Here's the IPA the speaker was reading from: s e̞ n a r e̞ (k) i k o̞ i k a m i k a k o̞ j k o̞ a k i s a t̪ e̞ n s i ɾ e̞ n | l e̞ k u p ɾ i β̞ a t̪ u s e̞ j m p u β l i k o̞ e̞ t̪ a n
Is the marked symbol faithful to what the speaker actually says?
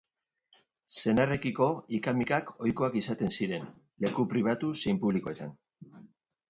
yes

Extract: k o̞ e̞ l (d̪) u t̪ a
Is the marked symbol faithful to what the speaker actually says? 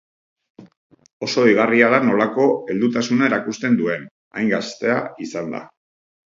yes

